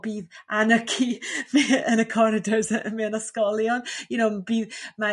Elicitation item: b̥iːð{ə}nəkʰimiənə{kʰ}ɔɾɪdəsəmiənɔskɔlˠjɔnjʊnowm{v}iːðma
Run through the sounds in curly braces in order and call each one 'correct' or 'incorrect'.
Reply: incorrect: a, correct, incorrect: b

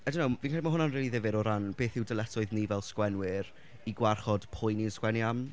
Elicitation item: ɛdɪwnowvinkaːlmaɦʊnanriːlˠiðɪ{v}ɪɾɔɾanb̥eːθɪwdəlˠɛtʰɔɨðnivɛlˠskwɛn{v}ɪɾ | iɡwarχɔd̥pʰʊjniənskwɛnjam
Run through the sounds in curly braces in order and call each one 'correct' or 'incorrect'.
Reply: correct, incorrect: w

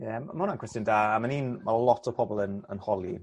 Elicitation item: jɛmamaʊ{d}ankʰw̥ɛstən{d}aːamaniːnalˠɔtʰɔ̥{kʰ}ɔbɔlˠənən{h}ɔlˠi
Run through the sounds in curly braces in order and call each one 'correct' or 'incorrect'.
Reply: incorrect: n, correct, incorrect: pʰ, correct

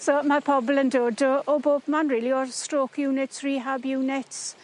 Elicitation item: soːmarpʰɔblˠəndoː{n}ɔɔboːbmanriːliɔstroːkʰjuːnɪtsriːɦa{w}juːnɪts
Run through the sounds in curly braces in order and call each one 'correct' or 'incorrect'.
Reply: incorrect: d, incorrect: b

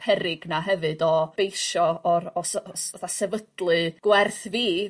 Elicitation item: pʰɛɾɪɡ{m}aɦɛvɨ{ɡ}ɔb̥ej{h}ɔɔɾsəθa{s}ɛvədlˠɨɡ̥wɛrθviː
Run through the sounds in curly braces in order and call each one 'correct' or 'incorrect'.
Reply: incorrect: n, incorrect: d, incorrect: ʃ, correct

